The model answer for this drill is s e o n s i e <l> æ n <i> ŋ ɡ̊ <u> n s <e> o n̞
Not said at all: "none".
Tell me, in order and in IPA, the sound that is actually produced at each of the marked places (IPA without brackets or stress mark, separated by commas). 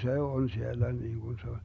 lː, iː, u, e